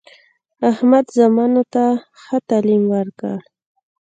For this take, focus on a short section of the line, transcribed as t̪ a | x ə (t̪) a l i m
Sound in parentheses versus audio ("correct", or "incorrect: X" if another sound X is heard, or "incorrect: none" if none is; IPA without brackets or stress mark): correct